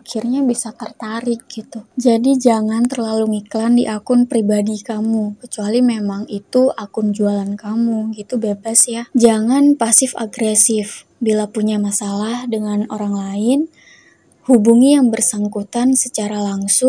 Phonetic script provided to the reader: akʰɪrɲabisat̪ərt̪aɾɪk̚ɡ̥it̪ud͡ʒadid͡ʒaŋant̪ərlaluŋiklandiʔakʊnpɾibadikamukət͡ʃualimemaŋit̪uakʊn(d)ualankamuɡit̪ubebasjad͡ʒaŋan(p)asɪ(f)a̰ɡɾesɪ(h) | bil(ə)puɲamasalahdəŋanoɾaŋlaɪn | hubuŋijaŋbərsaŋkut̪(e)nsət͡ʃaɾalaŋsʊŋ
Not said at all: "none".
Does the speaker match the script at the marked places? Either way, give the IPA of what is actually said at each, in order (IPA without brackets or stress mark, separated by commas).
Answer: d͡ʒ, p, f, f, a, a